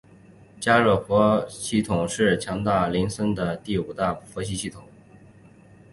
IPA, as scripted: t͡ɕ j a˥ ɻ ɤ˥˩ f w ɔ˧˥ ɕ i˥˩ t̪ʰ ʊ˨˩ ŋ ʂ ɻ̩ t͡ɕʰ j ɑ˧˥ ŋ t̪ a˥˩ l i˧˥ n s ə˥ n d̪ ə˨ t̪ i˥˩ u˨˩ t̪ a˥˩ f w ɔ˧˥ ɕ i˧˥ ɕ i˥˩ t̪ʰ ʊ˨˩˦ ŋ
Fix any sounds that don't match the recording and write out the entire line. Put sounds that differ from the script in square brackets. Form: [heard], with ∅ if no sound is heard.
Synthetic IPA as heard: t͡ɕ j a˥ ɻ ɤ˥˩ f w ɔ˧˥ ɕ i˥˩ t̪ʰ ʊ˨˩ ŋ ʂ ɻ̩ t͡ɕʰ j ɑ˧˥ ŋ t̪ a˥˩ l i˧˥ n s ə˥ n d̪ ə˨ t̪ i˥˩ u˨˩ t̪ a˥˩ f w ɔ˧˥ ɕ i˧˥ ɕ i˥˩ t̪ʰ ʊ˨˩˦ ŋ

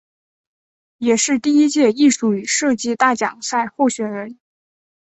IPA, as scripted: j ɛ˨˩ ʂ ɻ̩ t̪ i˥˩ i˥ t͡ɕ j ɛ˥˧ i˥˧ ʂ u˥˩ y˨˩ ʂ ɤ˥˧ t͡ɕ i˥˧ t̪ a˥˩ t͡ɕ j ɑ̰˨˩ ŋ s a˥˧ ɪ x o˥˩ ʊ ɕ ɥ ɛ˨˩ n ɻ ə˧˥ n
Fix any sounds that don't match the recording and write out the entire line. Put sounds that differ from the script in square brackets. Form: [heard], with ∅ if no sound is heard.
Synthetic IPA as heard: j ɛ˨˩ ʂ ɻ̩ t̪ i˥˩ i˥ t͡ɕ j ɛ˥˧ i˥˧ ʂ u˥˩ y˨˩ ʂ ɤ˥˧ t͡ɕ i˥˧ t̪ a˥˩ t͡ɕ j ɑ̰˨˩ ŋ s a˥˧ ɪ x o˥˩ ʊ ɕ ɥ ɛ˨˩ n ɻ ə˧˥ n

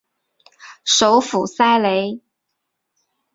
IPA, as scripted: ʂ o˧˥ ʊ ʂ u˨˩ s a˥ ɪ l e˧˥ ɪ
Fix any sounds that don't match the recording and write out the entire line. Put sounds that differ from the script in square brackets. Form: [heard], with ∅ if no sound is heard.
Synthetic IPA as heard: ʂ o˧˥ ʊ [f] u˨˩ s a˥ ɪ l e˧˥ ɪ

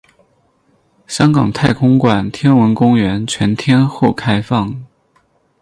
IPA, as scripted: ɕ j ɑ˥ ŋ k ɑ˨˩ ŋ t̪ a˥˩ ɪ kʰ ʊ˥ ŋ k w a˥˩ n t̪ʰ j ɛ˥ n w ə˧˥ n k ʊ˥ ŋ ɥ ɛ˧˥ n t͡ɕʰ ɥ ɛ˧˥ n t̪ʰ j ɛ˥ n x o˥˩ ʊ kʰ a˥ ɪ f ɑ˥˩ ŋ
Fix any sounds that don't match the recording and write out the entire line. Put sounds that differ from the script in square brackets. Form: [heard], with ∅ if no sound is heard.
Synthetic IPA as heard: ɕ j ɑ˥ ŋ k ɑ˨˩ ŋ [t̪ʰ] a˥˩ ɪ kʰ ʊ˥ ŋ k w [a˨˩] n t̪ʰ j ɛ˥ n w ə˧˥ n k ʊ˥ ŋ ɥ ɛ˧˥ n t͡ɕʰ ɥ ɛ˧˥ n t̪ʰ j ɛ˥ n x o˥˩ ʊ kʰ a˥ ɪ f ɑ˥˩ ŋ

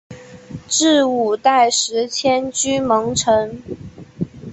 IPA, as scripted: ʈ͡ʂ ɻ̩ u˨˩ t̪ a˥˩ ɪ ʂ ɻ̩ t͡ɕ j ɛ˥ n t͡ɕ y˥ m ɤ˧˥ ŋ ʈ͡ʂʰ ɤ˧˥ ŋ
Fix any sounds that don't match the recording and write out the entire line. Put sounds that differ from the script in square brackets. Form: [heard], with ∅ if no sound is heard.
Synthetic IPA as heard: ʈ͡ʂ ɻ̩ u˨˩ t̪ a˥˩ ɪ ʂ ɻ̩ [t͡ɕʰ] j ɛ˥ n t͡ɕ y˥ m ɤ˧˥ ŋ ʈ͡ʂʰ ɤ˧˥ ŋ

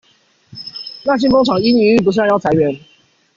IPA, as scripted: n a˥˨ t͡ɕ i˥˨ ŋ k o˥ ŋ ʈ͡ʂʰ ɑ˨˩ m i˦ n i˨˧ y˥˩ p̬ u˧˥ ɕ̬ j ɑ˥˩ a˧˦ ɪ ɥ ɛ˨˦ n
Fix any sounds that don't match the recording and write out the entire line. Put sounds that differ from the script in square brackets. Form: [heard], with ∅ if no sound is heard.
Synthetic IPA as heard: n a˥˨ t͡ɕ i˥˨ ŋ k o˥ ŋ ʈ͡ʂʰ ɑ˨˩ [ŋ] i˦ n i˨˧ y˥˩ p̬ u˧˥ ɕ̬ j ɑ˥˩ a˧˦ ɪ ɥ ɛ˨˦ n

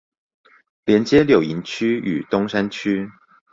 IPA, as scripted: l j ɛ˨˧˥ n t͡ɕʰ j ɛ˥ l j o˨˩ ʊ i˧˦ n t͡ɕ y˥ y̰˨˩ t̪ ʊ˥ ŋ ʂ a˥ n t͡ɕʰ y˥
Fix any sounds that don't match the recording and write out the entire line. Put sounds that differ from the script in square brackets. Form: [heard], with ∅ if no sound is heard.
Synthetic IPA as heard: l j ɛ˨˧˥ n [t͡ɕ] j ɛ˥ l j o˨˩ ʊ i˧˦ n [t͡ɕʰ] y˥ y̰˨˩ t̪ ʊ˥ ŋ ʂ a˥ n t͡ɕʰ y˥

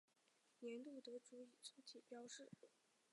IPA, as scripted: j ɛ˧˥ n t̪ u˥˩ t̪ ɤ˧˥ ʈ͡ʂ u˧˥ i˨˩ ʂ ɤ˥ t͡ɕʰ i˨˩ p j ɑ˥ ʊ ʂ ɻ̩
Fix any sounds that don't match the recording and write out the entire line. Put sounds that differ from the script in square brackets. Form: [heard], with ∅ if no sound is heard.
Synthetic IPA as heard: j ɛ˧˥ n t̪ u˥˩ t̪ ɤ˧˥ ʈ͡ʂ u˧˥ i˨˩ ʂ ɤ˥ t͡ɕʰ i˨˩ p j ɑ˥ ʊ ʂ ɻ̩

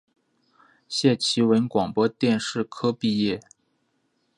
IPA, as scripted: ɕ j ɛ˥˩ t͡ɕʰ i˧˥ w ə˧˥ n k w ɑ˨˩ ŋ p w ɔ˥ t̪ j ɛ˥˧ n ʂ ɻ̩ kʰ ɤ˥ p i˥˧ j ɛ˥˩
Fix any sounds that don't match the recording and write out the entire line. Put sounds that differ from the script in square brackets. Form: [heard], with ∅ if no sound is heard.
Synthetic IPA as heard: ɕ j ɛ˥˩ t͡ɕʰ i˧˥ w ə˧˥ n k w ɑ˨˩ ŋ p w ɔ˥ t̪ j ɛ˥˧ n ʂ ɻ̩ kʰ ɤ˥ p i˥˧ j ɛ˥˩

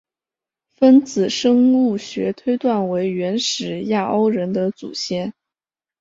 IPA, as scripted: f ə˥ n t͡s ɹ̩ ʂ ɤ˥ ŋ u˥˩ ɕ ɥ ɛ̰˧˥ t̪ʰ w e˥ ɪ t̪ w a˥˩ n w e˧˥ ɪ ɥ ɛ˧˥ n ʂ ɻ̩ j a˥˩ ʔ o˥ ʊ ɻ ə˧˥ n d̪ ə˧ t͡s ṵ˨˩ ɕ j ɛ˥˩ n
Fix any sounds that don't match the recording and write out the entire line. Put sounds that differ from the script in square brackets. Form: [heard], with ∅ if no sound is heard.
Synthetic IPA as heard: f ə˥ n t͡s ɹ̩ ʂ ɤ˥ ŋ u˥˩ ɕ ɥ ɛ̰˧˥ t̪ʰ w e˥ ɪ t̪ w a˥˩ n w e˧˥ ɪ ɥ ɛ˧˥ n ʂ ɻ̩ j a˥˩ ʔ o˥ ʊ ɻ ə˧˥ n d̪ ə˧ t͡s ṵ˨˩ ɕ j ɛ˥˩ n

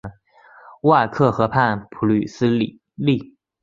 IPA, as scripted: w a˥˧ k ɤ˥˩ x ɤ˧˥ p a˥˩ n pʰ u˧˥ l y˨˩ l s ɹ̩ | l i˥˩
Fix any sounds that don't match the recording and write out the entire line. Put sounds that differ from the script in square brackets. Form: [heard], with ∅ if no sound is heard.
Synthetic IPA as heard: w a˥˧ [kʰ] ɤ˥˩ x ɤ˧˥ [pʰ] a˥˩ n pʰ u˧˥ l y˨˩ [∅] s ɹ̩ | l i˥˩

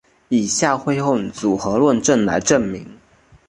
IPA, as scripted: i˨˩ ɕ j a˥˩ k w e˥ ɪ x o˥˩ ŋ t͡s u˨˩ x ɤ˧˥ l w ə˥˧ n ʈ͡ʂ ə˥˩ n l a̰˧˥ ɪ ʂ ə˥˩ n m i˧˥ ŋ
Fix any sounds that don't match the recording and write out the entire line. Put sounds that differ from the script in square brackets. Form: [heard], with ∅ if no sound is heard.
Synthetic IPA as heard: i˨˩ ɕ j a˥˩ [x] w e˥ ɪ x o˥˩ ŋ t͡s u˨˩ x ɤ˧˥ l w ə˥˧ n ʈ͡ʂ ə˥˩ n l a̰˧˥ ɪ [ʈ͡ʂ] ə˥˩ n m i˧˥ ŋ

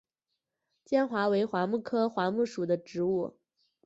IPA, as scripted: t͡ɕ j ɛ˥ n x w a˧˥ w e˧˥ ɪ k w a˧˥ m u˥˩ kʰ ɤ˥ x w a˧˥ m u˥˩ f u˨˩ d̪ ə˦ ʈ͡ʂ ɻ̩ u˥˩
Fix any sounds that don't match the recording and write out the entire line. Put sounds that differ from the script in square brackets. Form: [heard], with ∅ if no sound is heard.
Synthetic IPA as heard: t͡ɕ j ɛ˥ n x w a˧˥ w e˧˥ ɪ [x] w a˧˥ m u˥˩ kʰ ɤ˥ x w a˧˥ m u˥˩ [ʂ] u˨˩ d̪ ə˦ ʈ͡ʂ ɻ̩ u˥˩

